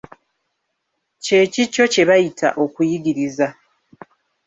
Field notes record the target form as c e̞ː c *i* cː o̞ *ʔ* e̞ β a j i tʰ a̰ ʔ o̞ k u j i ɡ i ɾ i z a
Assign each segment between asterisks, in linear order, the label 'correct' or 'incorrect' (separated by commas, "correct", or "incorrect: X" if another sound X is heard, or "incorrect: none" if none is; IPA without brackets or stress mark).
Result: correct, incorrect: c